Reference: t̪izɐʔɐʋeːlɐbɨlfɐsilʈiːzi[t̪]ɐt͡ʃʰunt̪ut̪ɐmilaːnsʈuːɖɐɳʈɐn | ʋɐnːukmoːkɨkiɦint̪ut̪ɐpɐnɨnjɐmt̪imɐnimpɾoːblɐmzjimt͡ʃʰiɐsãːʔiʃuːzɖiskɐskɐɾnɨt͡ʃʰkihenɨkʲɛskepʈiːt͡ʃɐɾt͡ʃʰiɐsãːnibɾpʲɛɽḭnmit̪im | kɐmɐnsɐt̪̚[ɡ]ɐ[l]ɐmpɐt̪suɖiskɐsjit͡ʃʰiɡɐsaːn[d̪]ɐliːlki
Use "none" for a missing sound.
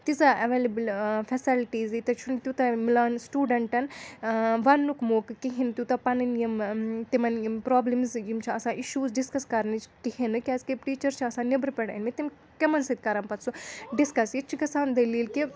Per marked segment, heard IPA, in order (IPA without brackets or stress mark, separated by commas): t̪, k, ɾ, d̪